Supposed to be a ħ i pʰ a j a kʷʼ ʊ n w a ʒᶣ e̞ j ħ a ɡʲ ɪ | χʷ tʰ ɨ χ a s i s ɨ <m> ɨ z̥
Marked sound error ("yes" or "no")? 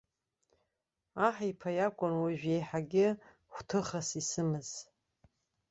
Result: no